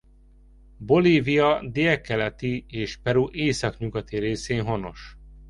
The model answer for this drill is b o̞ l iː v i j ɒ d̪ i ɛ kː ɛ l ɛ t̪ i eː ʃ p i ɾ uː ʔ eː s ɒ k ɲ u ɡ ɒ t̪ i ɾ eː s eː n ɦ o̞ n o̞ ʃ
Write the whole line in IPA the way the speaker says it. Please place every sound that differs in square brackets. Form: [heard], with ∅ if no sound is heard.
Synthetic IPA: b o̞ l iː v i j ɒ d̪ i ɛ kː ɛ l ɛ t̪ i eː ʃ p [ɛ] ɾ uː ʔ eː s ɒ k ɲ u ɡ ɒ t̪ i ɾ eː s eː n ɦ o̞ n o̞ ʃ